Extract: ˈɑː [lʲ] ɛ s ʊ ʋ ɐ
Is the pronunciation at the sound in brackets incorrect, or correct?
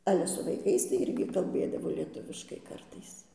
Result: correct